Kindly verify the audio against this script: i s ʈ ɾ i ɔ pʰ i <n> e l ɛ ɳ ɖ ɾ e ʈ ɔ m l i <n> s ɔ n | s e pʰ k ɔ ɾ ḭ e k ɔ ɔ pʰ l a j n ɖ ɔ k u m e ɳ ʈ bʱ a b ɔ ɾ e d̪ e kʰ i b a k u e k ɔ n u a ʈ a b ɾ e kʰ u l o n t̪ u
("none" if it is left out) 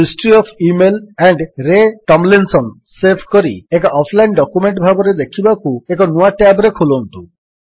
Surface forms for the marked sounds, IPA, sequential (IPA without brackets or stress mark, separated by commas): m, n